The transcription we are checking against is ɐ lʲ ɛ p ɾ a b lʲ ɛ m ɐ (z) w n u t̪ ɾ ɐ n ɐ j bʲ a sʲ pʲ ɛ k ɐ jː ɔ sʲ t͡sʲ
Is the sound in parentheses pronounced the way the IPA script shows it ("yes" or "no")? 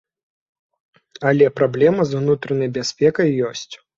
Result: yes